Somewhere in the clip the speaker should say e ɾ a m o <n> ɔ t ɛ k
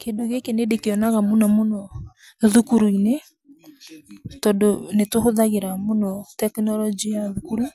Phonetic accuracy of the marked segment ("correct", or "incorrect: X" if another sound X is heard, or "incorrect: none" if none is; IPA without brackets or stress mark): correct